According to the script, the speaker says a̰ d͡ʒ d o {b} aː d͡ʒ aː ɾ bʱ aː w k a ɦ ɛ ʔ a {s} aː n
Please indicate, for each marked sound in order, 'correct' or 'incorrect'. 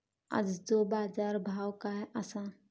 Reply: correct, correct

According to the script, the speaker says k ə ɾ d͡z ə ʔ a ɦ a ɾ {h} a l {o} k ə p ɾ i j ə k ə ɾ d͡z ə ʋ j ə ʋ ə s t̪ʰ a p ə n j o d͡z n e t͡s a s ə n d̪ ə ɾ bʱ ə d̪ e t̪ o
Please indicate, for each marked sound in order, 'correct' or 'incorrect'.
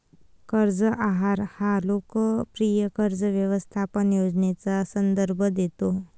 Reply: correct, correct

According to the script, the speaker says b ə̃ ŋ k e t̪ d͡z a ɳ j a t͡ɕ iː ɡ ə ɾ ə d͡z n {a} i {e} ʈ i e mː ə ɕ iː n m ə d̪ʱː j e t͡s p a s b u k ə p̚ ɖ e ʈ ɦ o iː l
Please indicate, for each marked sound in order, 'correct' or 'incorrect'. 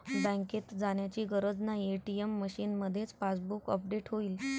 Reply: correct, correct

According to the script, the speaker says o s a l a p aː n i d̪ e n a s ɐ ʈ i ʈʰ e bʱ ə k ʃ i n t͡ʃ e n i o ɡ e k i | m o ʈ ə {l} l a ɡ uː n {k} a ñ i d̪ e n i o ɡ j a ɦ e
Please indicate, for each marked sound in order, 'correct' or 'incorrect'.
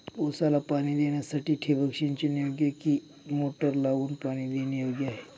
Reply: incorrect, incorrect

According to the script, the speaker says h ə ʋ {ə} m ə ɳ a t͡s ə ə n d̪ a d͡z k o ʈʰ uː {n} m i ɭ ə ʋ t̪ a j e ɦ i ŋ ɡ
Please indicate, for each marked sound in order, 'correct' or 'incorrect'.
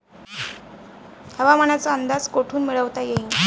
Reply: incorrect, correct

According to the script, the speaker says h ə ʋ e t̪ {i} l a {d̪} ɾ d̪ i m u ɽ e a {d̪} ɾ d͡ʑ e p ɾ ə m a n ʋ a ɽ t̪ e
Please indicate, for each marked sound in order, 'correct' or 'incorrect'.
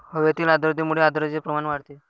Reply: incorrect, correct, correct

